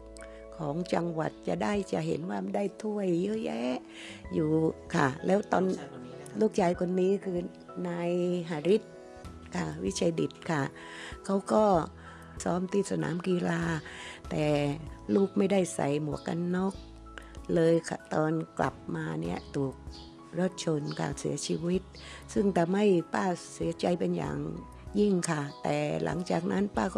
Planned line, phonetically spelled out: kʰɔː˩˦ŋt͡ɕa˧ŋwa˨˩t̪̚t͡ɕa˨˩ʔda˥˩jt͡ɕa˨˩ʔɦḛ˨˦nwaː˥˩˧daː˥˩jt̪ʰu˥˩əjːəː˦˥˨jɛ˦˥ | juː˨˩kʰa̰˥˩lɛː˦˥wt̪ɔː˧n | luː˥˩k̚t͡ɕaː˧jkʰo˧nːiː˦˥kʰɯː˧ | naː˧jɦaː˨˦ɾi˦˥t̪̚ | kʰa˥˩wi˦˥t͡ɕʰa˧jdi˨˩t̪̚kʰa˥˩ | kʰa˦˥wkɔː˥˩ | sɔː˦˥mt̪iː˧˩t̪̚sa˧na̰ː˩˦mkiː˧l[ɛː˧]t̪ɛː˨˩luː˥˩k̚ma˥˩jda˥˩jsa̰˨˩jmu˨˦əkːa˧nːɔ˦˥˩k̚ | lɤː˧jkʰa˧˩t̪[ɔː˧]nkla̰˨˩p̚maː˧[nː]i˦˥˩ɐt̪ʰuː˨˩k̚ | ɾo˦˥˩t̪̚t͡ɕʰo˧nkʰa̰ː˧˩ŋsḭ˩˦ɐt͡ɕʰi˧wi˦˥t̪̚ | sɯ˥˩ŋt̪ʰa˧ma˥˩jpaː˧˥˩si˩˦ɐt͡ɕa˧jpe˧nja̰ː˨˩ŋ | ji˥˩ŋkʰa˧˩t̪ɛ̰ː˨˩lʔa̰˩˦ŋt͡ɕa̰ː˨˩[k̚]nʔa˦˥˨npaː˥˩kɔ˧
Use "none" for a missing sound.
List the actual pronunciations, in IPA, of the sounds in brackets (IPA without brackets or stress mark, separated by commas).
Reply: aː˧, ɔː˧, n, k̚